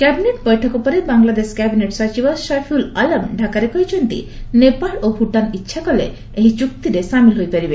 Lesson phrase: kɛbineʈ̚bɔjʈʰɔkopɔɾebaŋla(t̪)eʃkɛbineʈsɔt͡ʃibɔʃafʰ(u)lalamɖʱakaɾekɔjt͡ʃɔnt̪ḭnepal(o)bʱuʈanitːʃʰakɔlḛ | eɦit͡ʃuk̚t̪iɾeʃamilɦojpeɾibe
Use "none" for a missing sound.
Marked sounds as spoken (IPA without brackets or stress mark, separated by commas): d̪, u, o